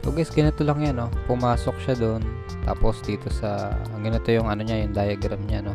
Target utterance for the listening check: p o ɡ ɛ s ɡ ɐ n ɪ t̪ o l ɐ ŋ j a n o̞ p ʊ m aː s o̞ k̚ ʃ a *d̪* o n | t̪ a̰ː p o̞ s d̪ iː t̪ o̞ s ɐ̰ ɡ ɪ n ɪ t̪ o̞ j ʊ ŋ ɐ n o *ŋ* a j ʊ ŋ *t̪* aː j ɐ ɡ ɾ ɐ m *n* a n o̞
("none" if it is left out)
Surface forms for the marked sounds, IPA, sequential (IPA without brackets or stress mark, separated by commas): d̪, ɲ, d̪, ɲ